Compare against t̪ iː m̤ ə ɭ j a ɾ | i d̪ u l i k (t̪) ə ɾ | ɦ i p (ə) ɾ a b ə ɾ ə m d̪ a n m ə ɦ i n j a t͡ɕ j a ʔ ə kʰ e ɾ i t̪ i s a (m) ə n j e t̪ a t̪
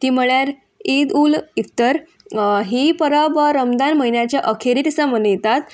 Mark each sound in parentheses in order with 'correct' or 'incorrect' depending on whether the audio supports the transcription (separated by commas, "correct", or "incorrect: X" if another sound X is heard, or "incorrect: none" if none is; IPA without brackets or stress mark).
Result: correct, correct, correct